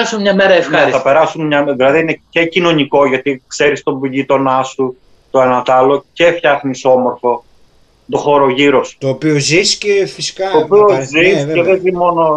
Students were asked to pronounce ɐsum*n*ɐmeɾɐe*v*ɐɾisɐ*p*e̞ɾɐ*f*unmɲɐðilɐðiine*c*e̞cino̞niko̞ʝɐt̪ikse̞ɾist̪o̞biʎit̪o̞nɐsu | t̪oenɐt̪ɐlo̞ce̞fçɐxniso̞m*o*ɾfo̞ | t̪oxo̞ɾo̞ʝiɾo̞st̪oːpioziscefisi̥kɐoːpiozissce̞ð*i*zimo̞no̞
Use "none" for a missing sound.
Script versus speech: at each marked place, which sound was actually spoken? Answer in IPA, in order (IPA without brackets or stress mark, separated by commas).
ɲ, f, p, s, c, o, e